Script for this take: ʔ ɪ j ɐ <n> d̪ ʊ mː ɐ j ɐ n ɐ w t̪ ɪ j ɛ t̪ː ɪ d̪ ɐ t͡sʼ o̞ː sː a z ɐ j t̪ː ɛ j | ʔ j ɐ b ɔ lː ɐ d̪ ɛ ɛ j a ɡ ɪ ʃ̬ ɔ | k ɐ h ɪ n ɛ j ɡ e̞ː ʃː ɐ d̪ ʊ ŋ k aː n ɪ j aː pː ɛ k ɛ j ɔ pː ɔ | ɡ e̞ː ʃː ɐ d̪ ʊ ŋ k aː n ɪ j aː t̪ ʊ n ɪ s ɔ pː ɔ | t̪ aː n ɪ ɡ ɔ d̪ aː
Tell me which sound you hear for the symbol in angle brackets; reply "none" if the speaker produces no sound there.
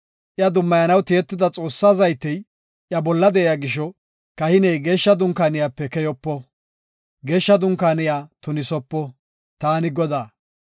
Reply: none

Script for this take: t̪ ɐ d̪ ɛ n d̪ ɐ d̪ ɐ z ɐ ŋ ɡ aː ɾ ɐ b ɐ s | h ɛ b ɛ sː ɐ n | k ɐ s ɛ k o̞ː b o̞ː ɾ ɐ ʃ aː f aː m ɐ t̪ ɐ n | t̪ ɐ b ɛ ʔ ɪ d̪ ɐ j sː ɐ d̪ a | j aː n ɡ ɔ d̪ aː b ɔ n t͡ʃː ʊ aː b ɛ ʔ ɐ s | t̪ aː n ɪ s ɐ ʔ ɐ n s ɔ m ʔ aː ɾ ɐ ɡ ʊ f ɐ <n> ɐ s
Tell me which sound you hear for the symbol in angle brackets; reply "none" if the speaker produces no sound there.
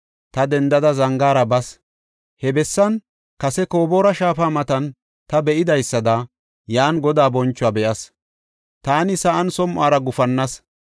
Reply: nː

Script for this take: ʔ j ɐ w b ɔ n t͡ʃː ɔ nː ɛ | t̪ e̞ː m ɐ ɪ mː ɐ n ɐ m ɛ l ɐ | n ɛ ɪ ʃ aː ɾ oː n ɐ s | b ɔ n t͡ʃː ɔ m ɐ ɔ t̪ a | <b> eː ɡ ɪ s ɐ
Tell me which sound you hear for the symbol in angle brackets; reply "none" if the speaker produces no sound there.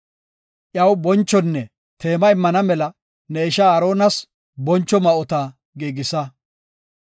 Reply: ɡ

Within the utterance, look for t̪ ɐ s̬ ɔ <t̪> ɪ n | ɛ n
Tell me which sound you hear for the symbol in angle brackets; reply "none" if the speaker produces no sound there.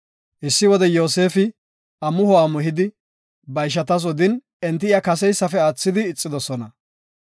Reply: d̪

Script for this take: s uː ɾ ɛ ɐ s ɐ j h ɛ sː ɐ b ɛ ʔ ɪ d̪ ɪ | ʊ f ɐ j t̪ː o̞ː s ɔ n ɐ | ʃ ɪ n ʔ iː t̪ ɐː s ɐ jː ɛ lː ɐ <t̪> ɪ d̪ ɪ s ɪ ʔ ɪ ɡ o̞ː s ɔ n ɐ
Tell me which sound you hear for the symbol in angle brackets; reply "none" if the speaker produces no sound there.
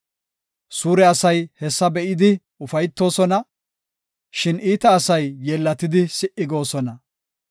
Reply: t̪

